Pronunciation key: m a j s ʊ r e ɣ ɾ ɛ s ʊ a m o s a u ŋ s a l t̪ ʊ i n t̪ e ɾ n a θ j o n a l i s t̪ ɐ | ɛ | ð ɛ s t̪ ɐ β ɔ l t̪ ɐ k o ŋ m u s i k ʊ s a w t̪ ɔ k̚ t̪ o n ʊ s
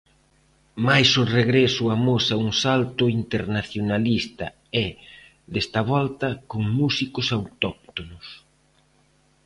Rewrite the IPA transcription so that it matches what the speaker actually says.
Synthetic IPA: m a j s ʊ r e ɣ ɾ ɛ s ʊ a m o s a u ŋ s a l t̪ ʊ i n t̪ e ɾ n a θ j o n a l i s t̪ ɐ | ɛ | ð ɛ s t̪ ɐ β ɔ l t̪ ɐ k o ŋ m u s i k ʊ s a w t̪ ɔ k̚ t̪ o n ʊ s

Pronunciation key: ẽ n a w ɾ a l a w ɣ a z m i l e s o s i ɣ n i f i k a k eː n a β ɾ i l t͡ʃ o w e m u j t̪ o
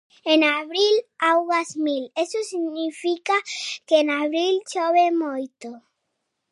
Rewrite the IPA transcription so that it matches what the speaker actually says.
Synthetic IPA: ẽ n a β ɾ i l a w ɣ a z m i l e s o s i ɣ n i f i k a k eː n a β ɾ i l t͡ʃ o β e m o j t̪ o

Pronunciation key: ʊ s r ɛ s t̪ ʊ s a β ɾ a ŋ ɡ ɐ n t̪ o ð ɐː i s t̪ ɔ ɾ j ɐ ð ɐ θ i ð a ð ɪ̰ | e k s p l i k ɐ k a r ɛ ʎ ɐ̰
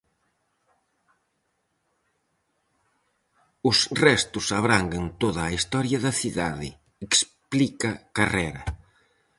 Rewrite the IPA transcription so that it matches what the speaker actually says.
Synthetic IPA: ʊ s r ɛ s t̪ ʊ s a β ɾ a ŋ ɡ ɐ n t̪ o ð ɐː i s t̪ ɔ ɾ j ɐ ð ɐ θ i ð a ð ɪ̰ | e k s p l i k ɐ k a r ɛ ɾ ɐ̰

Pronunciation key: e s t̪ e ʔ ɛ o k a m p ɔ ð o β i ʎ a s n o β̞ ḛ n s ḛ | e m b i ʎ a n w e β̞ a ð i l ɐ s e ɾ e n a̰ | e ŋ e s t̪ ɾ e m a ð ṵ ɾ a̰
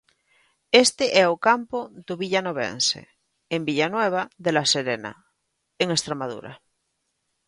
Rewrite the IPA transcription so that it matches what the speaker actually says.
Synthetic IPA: e s t̪ e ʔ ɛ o k a m p o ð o β i ʎ a n o β̞ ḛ n s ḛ | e m b i ʎ a n w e β̞ a ð e l a s e ɾ e n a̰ | e ŋ e s t̪ ɾ e m a ð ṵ ɾ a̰

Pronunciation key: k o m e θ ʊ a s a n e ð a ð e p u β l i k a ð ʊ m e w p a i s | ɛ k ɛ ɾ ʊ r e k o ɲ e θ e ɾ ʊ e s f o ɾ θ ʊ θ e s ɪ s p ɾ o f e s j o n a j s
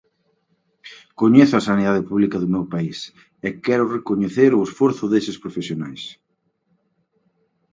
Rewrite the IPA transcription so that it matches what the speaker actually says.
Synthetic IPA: k o ɲ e θ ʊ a s a n i ð a ð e p u β l i k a ð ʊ m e w p a i s | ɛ k ɛ ɾ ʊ r e k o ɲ e θ e ɾ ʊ e s f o ɾ θ ʊ ð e s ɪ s p ɾ o f e s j o n a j s

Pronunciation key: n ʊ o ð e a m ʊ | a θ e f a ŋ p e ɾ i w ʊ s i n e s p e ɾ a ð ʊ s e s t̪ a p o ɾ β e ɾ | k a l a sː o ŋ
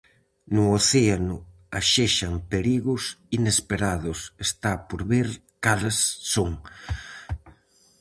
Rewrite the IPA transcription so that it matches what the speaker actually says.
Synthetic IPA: n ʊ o θ e a n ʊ | a ʃ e ʃ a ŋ p e ɾ i ɣ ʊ s i n e s p e ɾ a ð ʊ s e s t̪ a p o ɾ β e ɾ | k a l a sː o ŋ

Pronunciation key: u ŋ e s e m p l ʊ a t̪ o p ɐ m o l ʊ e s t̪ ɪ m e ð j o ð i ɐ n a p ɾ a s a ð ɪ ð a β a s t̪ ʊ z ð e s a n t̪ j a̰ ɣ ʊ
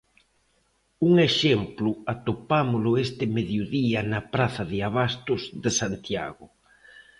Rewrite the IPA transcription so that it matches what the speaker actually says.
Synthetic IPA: u ŋ e ʃ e m p l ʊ a t̪ o p a m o l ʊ e s t̪ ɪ m e ð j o ð i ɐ n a p ɾ a θ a ð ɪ a β a s t̪ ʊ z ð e s a n t̪ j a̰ ɣ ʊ

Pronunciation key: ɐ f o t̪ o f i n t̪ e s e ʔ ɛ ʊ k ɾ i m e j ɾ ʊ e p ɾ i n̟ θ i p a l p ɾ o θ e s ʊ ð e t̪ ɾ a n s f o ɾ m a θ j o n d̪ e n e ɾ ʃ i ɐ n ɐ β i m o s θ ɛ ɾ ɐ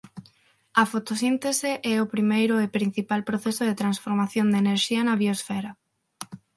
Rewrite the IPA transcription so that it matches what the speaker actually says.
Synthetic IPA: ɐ f o t̪ o s i n t̪ e s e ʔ ɛ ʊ p ɾ i m e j ɾ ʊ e p ɾ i n̟ θ i p a l p ɾ o θ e s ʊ ð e t̪ ɾ a n s f o ɾ m a θ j o n d̪ e n e ɾ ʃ i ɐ n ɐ β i o s f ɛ ɾ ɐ

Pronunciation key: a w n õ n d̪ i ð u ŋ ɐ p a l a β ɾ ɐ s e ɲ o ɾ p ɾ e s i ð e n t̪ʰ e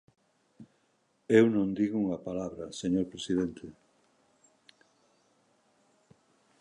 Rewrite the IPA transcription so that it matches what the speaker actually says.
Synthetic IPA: e w n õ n d̪ i ɣ u ŋ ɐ p a l a β ɾ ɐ s e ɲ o ɾ p ɾ e s i ð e n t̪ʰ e

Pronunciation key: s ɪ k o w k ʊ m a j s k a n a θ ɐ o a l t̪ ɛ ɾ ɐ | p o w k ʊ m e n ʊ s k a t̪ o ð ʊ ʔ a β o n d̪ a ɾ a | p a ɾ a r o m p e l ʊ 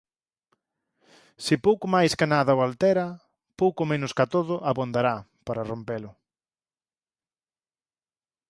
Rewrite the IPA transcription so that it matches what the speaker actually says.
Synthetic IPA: s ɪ p o w k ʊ m a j s k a n a ð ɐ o a l t̪ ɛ ɾ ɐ | p o w k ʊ m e n ʊ s k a t̪ o ð ʊ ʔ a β o n d̪ a ɾ a | p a ɾ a r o m p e l ʊ

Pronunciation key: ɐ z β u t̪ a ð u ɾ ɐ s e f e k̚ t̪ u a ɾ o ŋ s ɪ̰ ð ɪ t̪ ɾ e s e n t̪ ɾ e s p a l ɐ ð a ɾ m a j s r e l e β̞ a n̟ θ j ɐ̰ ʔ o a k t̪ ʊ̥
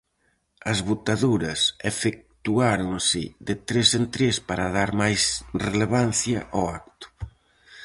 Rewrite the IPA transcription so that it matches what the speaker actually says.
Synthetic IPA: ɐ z β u t̪ a ð u ɾ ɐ s e f e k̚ t̪ u a ɾ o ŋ s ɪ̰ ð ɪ t̪ ɾ e s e n t̪ ɾ e s p a ɾ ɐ ð a ɾ m a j s r e l e β̞ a n̟ θ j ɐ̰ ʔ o a k t̪ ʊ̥

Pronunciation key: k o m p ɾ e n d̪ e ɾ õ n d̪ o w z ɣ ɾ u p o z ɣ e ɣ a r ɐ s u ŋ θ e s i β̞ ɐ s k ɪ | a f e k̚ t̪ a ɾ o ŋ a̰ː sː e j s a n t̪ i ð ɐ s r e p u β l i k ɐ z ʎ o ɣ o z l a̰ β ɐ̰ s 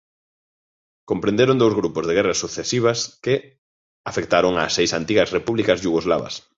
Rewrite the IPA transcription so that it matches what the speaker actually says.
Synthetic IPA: k o m p ɾ e n d̪ e ɾ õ n d̪ o w z ɣ ɾ u p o z ð e ɣ ɛ r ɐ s u θ e s i β̞ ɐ s k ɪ | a f e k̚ t̪ a ɾ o ŋ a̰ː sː e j s a n t̪ i ɣ ɐ s r e p u β l i k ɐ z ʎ u ɣ o z l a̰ β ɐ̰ s

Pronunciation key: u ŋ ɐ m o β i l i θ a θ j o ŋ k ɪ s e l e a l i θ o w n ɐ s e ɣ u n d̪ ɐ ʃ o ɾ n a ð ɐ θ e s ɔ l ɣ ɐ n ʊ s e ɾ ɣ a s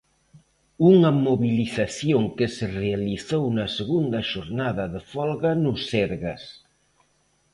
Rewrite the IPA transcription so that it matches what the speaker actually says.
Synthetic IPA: u ŋ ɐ m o β i l i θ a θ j o ŋ k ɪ s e r e a l i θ o w n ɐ s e ɣ u n d̪ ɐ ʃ o ɾ n a ð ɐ ð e f ɔ l ɣ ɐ n ʊ s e ɾ ɣ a s

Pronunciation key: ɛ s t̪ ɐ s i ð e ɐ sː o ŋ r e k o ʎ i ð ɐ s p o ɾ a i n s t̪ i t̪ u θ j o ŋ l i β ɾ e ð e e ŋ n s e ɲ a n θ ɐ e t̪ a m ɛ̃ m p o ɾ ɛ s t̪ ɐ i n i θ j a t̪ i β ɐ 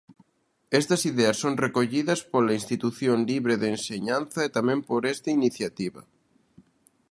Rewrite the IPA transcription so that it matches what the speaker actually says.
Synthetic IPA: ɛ s t̪ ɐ s i ð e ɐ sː o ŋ r e k o ʎ i ð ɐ s p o l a i n s t̪ i t̪ u θ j o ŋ l i β ɾ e ð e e n s e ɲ a n θ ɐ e t̪ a m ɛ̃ m p o ɾ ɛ s t̪ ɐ i n i θ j a t̪ i β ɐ

